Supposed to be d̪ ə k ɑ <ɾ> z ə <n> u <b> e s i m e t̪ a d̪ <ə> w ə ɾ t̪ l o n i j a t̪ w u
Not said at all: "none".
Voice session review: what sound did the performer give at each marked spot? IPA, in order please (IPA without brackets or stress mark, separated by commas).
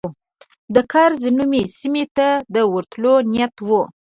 ɾ, n, m, ə